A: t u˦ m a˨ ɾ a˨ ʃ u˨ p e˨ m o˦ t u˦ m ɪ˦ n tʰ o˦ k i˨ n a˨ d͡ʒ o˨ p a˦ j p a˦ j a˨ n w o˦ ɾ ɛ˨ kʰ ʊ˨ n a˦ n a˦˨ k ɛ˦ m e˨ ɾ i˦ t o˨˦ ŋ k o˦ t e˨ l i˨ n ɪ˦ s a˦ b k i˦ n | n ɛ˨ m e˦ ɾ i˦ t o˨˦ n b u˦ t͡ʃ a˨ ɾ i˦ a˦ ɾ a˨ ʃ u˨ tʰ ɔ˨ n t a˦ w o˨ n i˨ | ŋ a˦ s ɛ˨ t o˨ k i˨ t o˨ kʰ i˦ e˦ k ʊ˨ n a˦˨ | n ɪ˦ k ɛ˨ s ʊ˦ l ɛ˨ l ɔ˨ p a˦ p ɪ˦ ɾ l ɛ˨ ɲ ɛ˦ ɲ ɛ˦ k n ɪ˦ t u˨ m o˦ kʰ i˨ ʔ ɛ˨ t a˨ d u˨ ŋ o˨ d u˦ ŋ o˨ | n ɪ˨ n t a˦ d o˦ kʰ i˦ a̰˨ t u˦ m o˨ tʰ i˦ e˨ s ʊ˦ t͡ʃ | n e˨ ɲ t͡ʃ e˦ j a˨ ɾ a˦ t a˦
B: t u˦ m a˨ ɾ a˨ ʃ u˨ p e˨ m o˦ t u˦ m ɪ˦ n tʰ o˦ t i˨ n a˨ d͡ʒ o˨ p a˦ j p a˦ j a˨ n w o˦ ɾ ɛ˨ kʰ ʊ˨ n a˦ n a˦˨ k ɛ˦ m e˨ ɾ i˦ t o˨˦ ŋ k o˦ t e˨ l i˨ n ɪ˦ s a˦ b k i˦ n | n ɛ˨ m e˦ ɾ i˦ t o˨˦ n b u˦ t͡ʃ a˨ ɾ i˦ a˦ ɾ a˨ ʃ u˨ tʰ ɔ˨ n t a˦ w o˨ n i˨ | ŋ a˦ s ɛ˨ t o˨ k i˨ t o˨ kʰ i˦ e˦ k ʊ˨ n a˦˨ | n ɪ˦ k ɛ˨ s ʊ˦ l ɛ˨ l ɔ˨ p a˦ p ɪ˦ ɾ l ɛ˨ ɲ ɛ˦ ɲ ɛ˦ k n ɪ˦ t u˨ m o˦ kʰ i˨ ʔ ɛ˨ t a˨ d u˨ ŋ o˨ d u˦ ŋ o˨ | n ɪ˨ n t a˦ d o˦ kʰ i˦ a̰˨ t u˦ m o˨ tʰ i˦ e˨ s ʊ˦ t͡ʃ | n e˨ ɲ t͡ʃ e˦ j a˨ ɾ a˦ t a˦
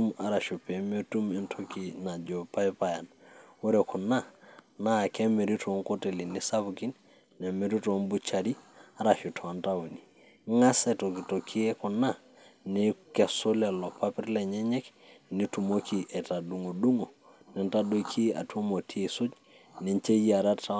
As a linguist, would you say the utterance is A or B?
A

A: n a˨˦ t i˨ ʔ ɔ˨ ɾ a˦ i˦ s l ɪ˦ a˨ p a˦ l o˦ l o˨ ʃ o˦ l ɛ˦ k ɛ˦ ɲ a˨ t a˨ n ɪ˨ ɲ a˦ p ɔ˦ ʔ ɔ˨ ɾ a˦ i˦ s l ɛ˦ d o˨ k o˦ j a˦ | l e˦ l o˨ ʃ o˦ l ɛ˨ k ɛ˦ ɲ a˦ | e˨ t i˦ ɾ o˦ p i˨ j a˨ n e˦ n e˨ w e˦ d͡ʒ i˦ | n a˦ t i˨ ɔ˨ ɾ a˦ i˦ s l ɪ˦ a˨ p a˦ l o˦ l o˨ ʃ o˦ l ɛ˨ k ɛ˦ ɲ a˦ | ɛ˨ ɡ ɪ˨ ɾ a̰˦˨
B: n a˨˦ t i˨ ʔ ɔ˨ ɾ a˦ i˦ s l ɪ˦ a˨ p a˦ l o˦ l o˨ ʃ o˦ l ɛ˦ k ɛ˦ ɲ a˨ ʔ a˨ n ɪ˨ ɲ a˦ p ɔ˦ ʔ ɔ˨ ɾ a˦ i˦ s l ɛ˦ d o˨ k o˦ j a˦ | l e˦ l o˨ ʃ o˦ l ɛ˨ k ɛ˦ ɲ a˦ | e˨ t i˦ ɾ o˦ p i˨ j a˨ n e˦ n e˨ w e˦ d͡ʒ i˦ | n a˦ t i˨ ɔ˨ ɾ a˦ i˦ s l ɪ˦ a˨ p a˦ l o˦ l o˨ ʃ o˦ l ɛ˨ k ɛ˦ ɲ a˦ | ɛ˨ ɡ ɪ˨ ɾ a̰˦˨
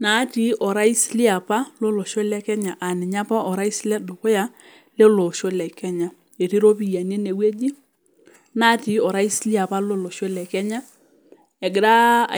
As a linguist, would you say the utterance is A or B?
B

